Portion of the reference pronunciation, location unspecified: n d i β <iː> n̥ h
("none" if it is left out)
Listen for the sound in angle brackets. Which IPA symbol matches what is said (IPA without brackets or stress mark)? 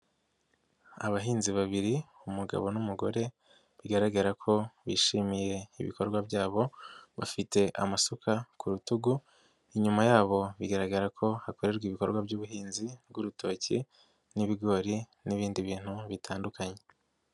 iː